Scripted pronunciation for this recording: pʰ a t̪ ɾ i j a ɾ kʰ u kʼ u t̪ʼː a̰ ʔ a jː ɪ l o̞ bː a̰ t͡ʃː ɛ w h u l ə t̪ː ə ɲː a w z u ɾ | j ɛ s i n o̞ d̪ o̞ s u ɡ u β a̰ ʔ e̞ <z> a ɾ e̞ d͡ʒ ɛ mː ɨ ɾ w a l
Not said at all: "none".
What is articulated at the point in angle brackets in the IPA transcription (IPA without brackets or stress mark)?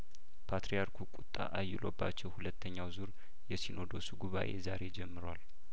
z